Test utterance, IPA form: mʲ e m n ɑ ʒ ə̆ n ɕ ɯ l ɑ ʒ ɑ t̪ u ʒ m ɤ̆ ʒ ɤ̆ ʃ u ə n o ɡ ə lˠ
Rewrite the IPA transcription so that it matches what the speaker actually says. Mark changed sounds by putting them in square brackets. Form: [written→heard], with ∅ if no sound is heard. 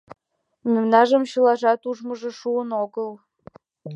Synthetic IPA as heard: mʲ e m n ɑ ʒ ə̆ [n→m] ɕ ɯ l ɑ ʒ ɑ t̪ u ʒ m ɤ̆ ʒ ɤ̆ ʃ u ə n o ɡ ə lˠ